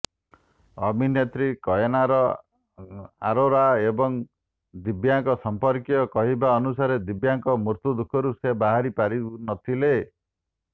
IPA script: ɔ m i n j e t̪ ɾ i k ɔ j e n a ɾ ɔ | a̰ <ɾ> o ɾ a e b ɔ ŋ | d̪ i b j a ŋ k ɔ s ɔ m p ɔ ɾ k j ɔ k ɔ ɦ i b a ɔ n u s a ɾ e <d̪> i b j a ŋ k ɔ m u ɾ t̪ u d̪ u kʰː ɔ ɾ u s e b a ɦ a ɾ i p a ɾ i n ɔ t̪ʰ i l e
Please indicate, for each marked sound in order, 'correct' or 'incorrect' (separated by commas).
correct, correct